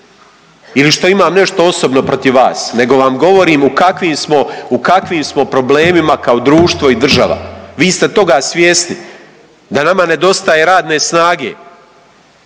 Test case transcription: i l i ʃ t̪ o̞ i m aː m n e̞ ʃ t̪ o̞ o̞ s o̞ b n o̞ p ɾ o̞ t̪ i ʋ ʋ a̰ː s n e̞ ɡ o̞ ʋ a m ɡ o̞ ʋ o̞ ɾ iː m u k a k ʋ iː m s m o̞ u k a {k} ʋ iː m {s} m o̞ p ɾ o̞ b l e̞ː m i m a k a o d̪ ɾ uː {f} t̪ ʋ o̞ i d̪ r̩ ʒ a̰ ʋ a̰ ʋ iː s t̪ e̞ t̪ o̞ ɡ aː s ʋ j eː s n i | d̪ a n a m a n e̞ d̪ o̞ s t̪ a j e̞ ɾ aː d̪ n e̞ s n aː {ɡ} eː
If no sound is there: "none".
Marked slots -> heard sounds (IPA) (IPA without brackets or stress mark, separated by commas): k, s, ʃ, ɡ